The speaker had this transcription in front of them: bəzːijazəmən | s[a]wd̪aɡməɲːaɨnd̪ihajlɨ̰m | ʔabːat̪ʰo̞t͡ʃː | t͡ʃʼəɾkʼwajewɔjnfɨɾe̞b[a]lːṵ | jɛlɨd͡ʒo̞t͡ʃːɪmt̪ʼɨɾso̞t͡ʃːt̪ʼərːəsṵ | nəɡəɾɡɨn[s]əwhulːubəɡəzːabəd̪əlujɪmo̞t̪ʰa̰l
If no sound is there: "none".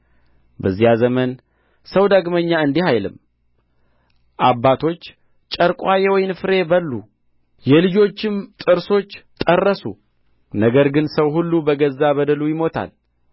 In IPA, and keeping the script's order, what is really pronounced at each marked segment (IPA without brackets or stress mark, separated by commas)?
ə, ə, s